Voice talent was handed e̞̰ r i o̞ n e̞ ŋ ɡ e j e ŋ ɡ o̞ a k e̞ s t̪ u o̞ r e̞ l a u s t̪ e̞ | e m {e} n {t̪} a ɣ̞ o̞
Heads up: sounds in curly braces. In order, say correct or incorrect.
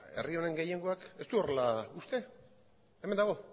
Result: correct, incorrect: d̪

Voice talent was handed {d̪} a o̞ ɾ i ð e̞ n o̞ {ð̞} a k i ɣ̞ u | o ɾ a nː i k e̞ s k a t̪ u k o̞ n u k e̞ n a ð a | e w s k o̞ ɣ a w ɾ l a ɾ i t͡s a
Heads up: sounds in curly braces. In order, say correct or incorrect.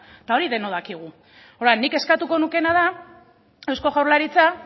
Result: incorrect: t̪, correct

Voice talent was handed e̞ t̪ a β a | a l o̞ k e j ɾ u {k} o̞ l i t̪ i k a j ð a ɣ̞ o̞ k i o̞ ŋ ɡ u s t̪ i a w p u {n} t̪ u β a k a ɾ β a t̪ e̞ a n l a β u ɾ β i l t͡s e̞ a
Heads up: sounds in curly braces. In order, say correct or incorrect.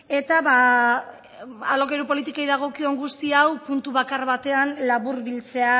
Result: incorrect: p, correct

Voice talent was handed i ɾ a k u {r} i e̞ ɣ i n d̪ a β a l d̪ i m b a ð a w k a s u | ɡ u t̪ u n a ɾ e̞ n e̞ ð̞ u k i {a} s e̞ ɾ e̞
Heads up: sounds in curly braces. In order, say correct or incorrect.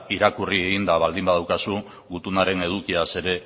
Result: correct, correct

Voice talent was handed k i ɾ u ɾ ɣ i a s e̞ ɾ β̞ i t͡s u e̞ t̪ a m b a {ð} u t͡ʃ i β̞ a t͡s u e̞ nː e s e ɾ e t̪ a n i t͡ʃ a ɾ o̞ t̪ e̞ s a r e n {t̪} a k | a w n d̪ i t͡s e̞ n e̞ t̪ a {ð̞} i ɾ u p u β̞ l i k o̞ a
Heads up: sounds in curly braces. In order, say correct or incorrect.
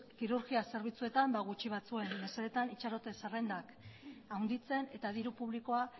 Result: incorrect: ɣ, incorrect: d̪, correct

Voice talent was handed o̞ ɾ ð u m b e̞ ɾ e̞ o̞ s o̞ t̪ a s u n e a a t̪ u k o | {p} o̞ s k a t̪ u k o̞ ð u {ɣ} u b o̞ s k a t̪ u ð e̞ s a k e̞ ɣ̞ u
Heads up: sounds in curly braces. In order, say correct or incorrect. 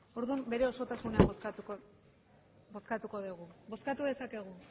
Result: incorrect: b, correct

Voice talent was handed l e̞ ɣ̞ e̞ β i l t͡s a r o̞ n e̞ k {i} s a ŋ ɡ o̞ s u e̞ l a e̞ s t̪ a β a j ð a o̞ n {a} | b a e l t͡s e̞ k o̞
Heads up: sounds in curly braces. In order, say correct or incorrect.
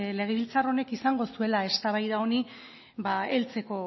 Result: correct, incorrect: i

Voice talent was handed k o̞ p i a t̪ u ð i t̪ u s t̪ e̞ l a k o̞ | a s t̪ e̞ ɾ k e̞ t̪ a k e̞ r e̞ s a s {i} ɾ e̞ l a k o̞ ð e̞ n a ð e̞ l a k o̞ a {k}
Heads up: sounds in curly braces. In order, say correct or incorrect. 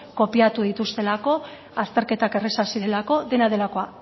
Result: correct, incorrect: none

